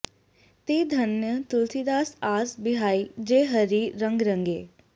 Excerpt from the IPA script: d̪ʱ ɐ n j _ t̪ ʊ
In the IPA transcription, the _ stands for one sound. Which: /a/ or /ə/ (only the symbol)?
ə